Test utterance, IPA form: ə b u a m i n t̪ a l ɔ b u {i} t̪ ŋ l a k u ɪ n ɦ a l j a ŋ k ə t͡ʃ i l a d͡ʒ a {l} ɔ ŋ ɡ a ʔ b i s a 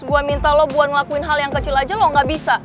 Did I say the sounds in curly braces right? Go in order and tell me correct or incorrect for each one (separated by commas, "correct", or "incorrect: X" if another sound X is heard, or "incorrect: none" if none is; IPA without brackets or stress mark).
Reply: incorrect: a, correct